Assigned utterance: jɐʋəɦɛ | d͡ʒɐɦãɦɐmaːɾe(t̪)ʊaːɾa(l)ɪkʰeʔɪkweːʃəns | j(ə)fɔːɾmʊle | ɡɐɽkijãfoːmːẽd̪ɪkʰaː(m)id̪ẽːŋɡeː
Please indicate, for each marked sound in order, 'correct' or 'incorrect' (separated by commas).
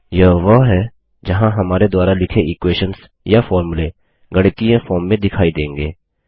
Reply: incorrect, correct, incorrect, incorrect